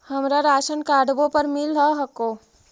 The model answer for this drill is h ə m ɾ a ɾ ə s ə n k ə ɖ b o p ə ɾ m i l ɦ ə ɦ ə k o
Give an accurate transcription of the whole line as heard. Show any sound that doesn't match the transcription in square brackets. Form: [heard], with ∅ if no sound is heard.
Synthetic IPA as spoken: h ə m ɾ a ɾ [a] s ə n k [a] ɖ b o p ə ɾ m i l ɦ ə ɦ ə k o